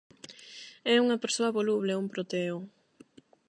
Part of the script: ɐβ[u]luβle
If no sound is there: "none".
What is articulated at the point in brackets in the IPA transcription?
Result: o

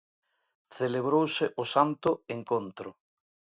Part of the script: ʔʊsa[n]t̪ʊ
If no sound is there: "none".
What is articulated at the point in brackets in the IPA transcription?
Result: n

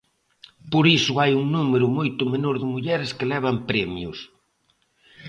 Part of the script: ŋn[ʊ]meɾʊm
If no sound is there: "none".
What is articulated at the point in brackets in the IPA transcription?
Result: u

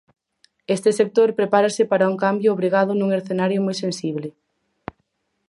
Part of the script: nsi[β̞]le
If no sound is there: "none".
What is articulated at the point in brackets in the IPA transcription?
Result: β̞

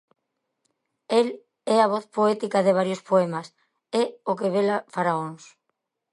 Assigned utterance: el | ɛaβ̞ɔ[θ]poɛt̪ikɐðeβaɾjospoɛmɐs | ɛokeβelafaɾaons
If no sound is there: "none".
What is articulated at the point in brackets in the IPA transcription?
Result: θ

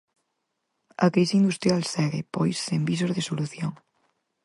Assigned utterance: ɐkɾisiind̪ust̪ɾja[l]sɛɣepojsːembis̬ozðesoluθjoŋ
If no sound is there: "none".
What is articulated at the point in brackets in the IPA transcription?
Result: l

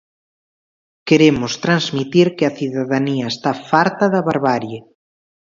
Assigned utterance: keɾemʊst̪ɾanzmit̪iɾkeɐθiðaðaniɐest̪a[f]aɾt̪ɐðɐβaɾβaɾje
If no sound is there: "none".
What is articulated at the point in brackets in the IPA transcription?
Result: f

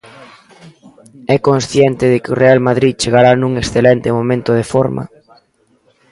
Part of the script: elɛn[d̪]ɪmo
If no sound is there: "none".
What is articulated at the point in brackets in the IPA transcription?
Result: t̪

